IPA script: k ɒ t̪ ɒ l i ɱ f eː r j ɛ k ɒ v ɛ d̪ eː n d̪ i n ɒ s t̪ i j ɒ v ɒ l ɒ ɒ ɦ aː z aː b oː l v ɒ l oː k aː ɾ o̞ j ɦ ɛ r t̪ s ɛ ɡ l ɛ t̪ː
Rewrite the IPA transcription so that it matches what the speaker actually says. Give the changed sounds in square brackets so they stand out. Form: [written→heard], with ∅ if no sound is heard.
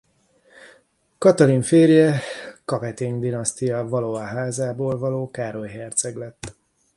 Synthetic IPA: k ɒ t̪ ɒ l i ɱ f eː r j ɛ k ɒ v ɛ [d̪→t̪] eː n d̪ i n ɒ s t̪ i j ɒ v ɒ l [ɒ→o] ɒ ɦ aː z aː b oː l v ɒ l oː k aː ɾ o̞ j ɦ ɛ r t̪ s ɛ ɡ l ɛ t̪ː